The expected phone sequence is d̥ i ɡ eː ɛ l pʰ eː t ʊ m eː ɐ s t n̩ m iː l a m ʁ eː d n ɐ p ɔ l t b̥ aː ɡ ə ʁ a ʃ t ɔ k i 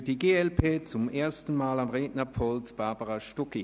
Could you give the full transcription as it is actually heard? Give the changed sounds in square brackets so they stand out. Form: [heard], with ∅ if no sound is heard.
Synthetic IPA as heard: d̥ i ɡ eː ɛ l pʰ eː [t͡s] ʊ m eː ɐ s t n̩ m [aː] l a m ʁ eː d n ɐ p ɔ l t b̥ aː [b] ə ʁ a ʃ t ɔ k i